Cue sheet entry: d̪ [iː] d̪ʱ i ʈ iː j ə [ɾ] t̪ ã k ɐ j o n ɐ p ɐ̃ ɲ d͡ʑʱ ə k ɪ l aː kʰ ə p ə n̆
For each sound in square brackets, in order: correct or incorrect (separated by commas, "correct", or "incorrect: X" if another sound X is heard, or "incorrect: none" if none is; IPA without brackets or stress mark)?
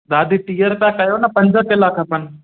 incorrect: aː, correct